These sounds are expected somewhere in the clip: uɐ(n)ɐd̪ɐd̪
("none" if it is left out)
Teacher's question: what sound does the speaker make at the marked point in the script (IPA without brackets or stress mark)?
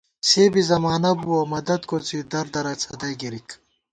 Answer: m